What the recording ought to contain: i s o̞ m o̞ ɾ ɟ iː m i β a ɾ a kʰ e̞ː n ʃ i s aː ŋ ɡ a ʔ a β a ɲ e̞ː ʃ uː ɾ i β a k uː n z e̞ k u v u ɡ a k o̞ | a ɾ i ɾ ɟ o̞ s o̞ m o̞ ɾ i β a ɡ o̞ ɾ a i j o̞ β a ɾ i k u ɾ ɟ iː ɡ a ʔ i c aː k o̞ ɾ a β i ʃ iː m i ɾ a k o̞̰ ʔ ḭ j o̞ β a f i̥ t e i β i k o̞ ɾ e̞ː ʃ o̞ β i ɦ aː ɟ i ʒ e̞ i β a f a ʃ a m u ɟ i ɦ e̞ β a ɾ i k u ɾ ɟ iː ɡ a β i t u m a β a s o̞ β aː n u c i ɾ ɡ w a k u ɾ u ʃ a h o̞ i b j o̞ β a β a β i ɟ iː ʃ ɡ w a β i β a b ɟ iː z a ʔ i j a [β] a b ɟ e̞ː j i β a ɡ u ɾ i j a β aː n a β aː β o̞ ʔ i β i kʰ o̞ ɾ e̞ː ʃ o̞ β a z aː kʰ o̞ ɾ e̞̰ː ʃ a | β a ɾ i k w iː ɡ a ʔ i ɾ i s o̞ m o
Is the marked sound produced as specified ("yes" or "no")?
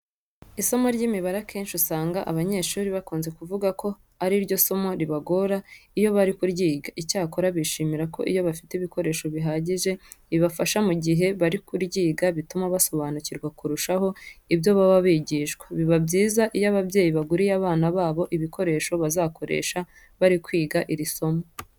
yes